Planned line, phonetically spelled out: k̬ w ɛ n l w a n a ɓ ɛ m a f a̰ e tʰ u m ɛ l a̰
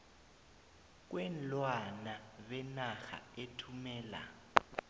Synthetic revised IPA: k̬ w ɛ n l w a n a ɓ ɛ n a x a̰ e tʰ u m ɛː l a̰